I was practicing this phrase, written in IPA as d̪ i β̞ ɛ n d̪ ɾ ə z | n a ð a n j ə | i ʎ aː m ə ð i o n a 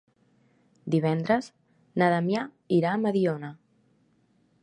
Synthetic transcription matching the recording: d̪ i β̞ ɛ n d̪ ɾ ə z | n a ð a m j a | i ɾ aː m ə ð i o n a

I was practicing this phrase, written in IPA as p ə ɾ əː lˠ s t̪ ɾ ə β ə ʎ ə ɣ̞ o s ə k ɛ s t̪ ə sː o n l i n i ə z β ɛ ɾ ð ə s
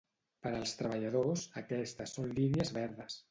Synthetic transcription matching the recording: p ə ɾ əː lˠ s t̪ ɾ ə β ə ʎ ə ð̞ o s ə k ɛ s t̪ ə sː o n l i n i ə z β ɛ ɾ ð ə s

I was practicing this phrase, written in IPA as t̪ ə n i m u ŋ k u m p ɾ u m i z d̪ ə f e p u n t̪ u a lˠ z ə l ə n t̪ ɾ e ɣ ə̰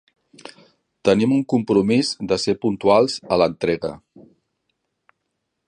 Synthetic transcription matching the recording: t̪ ə n i m u ŋ k u m p ɾ u m i z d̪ ə s e p u n t̪ u a lˠ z ə l ə n t̪ ɾ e ɣ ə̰

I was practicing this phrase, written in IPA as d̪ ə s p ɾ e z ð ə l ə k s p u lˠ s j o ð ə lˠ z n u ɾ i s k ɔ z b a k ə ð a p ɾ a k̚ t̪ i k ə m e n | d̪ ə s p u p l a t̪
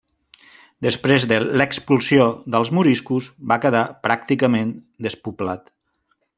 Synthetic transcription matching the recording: d̪ ə s p ɾ e z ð ə l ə k s p u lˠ s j o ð ə lˠ z m u ɾ i s k u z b a k ə ð a p ɾ a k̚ t̪ i k ə m e n | d̪ ə s p u p l a t̪

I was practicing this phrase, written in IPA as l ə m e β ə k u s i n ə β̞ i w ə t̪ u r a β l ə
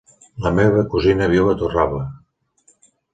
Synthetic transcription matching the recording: l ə m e β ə k u z i n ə β̞ i w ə t̪ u r a β l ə

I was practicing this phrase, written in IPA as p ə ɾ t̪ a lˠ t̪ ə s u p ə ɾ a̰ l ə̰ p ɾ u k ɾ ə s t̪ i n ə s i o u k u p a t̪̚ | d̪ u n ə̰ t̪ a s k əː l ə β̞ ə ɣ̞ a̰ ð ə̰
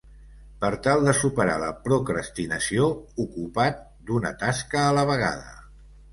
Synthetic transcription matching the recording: p ə ɾ t̪ a lˠ d̪ ə s u p ə ɾ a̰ l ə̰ p ɾ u k ɾ ə s t̪ i n ə s i o u k u p a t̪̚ | d̪ u n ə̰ t̪ a s k əː l ə β̞ ə ɣ̞ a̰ ð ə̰

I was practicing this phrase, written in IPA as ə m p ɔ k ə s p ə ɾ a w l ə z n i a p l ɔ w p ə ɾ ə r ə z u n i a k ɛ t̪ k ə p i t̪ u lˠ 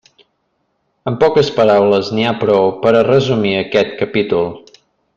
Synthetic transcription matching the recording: ə m p ɔ k ə s p ə ɾ a w l ə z n i a p ɾ ɔ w p ə ɾ ə r ə z u m i ə k ɛ t̪ k ə p i t̪ u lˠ

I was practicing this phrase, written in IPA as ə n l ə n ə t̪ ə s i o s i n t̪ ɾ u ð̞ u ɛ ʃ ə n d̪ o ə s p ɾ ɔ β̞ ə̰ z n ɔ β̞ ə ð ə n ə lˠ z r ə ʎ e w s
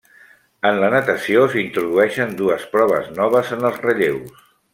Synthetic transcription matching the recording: ə n l ə n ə t̪ ə s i o s i n t̪ ɾ u ð̞ u ɛ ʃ ə n d̪ u ə s p ɾ ɔ β̞ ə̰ z n ɔ β̞ ə z ə n ə lˠ z r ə ʎ e w s

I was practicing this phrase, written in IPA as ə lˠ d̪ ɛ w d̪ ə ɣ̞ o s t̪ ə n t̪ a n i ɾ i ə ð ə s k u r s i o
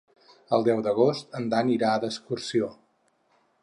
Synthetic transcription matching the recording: ə lˠ d̪ ɛ w d̪ ə ɣ̞ o s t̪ ə n d̪ a n i ɾ a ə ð ə s k u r s i o

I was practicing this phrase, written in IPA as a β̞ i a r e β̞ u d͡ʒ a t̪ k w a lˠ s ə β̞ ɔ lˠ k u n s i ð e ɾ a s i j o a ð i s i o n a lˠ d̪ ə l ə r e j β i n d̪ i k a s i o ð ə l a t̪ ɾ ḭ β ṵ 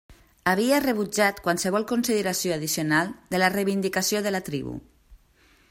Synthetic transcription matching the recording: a β̞ i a r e β̞ u d͡ʒ a t̪ k w a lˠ s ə β̞ ɔ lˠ k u n s i ð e ɾ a s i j o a ð i s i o n a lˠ d̪ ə l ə r e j β i n d̪ i k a s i o ð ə l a t̪ ɾ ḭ β ṵ

